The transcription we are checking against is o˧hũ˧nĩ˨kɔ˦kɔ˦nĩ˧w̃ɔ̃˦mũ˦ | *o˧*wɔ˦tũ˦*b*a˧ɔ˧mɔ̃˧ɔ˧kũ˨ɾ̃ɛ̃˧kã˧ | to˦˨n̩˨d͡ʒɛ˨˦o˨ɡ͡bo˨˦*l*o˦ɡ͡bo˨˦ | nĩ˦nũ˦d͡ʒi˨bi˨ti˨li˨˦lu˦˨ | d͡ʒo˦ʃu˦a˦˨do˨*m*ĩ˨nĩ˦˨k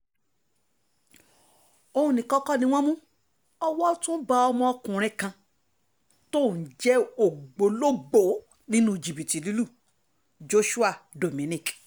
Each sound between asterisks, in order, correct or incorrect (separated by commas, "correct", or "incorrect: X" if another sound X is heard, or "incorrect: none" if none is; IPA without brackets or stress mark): incorrect: ɔ˧, correct, correct, correct